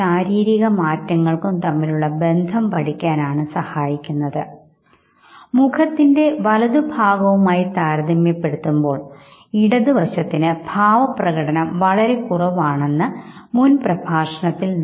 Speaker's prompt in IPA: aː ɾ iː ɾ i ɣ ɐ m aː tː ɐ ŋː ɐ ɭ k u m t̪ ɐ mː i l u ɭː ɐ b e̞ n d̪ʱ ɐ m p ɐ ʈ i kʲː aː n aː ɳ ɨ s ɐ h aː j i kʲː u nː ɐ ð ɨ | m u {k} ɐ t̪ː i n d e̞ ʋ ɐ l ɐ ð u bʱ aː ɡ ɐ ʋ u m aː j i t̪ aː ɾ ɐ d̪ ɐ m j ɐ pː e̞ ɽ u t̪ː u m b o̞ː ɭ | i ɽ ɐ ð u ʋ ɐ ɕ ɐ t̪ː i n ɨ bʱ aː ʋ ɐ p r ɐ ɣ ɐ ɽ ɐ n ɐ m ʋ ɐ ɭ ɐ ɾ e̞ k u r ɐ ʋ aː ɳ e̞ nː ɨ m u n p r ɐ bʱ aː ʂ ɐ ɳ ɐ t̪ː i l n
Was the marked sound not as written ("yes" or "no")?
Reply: yes